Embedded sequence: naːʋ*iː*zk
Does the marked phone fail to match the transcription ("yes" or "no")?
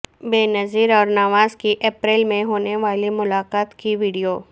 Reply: yes